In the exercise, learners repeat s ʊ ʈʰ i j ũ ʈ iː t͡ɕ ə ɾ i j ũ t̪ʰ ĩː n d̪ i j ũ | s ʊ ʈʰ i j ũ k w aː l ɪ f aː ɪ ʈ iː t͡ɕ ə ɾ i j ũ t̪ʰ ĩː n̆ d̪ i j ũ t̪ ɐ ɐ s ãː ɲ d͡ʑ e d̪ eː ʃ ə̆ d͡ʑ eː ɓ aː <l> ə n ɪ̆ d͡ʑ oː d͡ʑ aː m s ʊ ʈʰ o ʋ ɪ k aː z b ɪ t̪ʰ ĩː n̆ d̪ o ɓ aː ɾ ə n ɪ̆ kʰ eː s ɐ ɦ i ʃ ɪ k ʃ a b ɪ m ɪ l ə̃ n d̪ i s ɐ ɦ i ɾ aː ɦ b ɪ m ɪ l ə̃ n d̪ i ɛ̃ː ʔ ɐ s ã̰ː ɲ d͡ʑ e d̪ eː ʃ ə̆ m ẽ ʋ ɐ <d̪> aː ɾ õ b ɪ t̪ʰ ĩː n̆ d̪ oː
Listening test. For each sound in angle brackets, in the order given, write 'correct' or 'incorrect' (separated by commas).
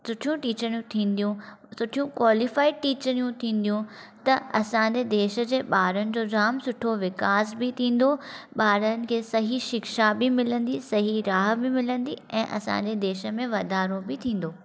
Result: incorrect, correct